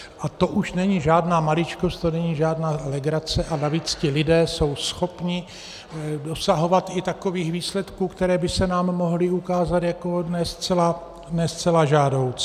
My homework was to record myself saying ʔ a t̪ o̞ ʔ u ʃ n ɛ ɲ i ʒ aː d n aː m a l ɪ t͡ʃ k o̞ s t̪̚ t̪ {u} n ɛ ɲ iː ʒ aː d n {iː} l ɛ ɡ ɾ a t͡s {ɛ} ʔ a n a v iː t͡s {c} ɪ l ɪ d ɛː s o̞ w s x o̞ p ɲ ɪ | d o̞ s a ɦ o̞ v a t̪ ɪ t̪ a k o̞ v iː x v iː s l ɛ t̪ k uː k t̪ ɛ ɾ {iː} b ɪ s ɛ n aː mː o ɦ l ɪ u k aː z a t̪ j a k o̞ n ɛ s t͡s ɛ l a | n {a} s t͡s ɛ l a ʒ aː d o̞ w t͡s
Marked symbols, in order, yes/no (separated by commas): no, no, yes, yes, no, no